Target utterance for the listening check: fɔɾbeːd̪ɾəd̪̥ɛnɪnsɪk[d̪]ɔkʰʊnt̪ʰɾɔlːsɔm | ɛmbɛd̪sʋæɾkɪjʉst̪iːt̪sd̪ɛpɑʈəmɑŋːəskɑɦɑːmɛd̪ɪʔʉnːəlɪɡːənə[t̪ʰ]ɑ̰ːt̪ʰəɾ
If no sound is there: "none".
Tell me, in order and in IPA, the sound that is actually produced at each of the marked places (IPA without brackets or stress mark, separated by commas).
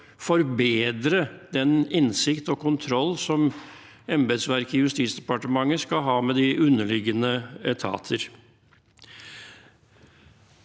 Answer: t̪, t̪ʰ